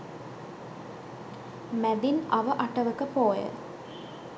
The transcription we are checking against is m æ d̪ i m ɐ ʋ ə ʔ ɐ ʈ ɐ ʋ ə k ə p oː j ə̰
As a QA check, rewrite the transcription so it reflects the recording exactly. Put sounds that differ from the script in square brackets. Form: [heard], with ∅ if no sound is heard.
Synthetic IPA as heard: m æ d̪ i [n] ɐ ʋ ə ʔ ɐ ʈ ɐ ʋ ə k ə p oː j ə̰